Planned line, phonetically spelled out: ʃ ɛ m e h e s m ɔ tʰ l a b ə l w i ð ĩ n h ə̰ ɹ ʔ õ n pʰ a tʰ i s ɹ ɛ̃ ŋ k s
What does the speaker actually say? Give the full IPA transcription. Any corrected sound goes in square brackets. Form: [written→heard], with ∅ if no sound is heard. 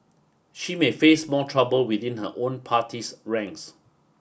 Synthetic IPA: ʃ [ɛ→i] m e [h→f] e s m ɔ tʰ [l→ɹ] a b ə l w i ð ĩ n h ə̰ [ɹ→∅] ʔ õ n pʰ a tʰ i s ɹ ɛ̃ ŋ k s